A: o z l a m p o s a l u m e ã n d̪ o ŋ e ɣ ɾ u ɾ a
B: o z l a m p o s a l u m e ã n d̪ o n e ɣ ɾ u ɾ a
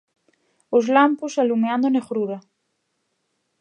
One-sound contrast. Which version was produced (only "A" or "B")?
B